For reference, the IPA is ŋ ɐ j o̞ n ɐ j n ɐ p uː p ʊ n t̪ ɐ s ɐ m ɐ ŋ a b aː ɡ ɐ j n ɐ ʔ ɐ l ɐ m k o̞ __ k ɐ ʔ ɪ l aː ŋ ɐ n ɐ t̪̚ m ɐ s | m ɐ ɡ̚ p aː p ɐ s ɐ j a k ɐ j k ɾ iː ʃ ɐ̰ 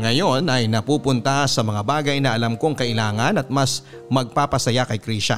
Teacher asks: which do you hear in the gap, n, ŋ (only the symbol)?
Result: ŋ